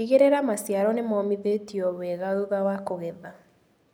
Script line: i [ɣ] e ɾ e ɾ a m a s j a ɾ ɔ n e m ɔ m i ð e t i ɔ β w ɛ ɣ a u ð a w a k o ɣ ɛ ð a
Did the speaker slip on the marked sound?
no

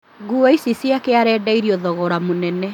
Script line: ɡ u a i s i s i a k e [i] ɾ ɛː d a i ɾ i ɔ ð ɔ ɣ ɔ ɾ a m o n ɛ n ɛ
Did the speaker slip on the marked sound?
yes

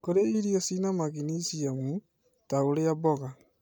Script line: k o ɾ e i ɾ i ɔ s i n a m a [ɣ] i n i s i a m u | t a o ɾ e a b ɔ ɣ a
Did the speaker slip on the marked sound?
no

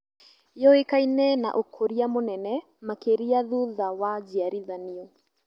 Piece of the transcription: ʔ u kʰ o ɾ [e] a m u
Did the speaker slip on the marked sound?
yes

